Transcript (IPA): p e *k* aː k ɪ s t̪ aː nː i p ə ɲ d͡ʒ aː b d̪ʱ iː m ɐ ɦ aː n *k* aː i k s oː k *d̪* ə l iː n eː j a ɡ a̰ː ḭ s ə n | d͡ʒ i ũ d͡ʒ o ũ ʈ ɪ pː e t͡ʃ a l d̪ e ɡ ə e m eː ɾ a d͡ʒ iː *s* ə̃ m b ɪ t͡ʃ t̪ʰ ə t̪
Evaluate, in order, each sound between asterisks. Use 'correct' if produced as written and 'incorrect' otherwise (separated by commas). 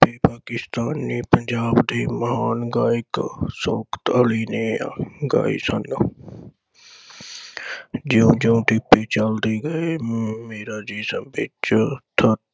incorrect, incorrect, incorrect, correct